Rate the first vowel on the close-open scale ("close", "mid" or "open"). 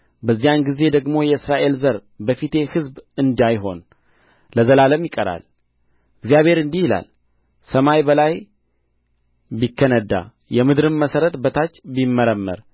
mid